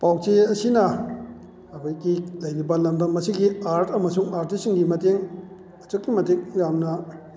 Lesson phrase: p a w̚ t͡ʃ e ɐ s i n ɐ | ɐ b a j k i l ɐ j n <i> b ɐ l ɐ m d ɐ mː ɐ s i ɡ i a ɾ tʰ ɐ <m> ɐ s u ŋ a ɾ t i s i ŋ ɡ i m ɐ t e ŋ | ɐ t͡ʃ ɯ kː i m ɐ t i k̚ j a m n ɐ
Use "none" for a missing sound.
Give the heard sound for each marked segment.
i, m

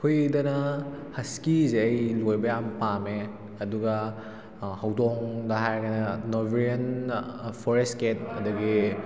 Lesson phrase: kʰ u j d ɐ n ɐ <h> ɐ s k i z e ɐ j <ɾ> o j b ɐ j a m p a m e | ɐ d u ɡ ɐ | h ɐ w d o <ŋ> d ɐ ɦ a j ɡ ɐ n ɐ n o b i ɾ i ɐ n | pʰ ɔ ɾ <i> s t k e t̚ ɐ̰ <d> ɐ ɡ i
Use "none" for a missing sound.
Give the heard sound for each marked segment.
h, l, ŋ, e, d

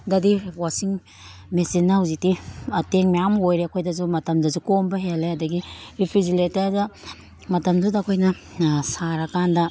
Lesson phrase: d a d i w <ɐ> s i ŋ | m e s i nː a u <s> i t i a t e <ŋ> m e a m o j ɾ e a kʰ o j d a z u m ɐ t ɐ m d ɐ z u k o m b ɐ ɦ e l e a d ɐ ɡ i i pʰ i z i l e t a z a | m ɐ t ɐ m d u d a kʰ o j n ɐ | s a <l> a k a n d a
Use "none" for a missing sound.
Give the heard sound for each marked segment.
a, z, ŋ, ɾ

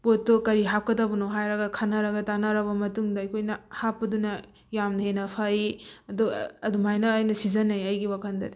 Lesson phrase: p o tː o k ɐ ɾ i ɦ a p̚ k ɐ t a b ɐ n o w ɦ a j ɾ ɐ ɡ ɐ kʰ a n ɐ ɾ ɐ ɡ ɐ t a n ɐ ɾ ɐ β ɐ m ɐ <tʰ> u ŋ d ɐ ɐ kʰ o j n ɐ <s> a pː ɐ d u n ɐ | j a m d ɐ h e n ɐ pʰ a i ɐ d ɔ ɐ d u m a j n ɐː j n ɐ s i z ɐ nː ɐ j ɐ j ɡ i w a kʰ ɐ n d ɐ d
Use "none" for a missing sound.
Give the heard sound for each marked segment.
t, h

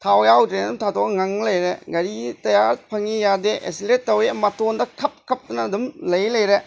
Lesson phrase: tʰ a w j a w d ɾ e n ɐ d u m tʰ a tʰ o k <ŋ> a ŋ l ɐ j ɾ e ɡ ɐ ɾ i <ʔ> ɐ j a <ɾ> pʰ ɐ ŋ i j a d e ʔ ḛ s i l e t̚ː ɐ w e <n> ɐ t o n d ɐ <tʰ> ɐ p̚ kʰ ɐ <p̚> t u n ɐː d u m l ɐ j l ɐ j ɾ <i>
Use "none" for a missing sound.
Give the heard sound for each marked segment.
ŋ, t, ɾ, m, kʰ, p̚, e

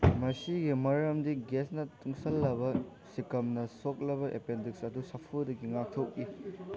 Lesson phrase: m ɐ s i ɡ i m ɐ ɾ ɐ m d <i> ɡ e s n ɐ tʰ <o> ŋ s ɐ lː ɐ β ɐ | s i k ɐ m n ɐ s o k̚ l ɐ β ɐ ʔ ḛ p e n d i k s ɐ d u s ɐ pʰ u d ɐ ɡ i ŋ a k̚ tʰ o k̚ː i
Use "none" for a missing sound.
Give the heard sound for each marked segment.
i, u

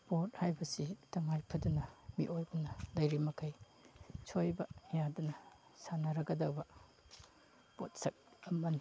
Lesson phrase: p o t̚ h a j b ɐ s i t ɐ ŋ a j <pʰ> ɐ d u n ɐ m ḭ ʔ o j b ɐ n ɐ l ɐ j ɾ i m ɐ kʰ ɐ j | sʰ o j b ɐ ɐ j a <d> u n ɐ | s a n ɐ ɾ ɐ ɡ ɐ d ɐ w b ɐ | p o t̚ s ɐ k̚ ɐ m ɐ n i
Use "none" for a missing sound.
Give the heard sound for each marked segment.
pʰ, d

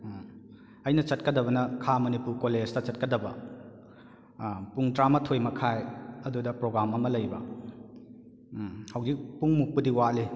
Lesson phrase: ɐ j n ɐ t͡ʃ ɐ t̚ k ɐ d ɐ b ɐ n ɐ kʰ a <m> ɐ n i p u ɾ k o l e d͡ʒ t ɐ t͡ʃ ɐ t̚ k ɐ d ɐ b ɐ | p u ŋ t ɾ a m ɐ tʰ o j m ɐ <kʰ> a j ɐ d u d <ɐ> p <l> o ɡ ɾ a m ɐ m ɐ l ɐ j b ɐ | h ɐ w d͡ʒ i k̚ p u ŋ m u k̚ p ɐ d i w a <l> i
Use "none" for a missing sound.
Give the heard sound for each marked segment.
m, kʰ, ɐ, ɾ, l

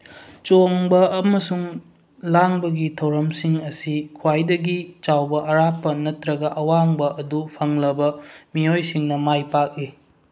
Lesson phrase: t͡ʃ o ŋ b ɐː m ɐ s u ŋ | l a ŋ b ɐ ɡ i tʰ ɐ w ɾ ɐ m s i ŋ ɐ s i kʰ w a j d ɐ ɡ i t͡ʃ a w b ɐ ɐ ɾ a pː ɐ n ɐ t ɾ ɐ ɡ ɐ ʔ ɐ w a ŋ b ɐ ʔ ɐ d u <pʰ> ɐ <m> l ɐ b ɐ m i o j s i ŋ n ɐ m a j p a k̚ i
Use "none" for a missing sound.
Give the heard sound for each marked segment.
pʰ, ŋ

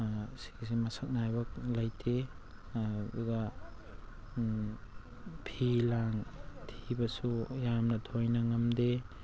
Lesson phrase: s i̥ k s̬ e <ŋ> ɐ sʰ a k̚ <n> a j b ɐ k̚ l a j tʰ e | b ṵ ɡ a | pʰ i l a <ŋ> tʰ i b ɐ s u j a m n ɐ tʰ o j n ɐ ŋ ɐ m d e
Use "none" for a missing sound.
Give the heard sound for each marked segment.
m, n, ŋ

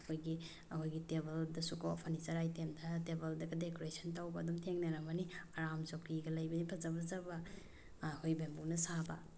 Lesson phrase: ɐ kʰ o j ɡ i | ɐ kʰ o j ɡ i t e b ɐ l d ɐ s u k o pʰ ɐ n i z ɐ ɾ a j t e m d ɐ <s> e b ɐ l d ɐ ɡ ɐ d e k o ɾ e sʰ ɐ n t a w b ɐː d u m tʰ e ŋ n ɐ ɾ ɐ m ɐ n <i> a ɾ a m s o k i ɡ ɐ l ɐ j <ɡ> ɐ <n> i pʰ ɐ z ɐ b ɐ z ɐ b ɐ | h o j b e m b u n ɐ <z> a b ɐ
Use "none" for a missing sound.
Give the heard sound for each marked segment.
t, i, b, n, s

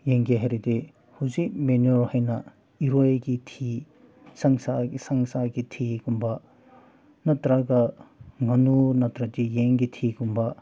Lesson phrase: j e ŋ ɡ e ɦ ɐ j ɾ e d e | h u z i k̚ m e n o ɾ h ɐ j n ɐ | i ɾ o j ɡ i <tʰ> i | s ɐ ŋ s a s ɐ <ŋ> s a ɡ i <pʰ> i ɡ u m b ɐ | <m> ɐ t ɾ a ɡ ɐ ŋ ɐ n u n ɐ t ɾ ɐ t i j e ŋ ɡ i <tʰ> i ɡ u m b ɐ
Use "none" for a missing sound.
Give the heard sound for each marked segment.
tʰ, ŋ, tʰ, n, tʰ

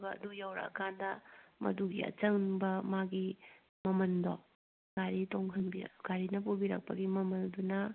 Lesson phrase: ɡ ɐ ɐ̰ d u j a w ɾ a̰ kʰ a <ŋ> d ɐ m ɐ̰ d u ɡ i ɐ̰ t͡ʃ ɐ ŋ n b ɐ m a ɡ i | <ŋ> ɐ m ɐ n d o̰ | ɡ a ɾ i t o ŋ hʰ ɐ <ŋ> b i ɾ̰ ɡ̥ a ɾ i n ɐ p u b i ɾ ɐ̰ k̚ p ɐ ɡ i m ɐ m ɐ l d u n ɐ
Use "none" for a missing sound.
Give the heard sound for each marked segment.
n, m, n

